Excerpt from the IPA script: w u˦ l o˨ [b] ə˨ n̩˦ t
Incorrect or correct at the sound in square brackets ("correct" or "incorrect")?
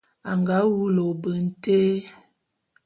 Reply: correct